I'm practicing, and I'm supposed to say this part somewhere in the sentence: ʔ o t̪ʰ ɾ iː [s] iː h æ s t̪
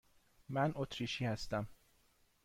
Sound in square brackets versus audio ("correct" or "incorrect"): incorrect